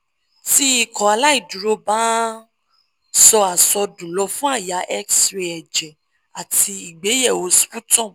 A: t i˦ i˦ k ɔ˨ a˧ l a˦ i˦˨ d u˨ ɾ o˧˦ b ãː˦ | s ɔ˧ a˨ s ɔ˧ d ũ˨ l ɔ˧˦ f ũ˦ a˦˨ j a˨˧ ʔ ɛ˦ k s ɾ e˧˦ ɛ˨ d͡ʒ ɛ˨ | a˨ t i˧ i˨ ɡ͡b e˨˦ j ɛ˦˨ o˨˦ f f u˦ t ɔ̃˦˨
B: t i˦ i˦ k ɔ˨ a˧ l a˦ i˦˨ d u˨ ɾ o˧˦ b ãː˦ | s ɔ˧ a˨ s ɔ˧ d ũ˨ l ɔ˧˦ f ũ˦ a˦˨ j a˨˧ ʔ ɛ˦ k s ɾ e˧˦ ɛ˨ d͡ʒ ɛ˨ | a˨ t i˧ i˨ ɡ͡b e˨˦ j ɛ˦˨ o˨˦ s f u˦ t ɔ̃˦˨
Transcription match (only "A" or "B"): B